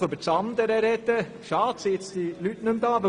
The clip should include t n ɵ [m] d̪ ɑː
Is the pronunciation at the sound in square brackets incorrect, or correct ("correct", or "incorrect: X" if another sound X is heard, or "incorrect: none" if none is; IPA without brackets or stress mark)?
correct